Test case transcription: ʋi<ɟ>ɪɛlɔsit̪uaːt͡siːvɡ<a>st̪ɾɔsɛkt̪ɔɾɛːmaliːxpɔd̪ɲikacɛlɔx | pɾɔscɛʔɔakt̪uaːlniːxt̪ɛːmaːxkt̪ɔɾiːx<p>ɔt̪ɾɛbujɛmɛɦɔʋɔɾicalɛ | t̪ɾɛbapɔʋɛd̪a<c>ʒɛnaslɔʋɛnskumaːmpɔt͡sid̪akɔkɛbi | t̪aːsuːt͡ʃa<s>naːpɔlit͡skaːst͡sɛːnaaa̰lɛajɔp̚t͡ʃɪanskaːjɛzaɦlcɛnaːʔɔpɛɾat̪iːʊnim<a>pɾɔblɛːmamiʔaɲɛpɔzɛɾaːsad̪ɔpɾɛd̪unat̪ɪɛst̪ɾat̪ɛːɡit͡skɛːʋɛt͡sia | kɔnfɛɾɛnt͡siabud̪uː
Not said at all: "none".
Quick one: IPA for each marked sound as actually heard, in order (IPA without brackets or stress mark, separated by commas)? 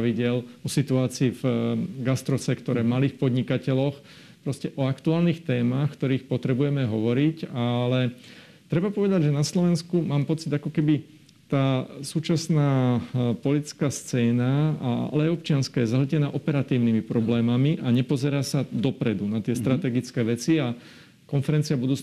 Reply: ɟ, a, p, ɟ, s, i